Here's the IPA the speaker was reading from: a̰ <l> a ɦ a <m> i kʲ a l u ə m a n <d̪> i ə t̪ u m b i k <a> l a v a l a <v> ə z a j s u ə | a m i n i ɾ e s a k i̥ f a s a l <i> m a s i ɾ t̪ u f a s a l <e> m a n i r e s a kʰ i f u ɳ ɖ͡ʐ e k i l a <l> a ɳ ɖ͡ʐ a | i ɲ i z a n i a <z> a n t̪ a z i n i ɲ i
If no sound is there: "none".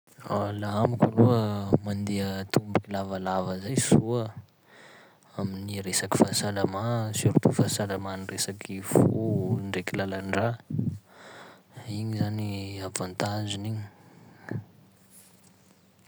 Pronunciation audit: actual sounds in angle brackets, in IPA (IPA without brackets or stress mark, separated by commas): l, m, d̪, i, v, a, a, l, v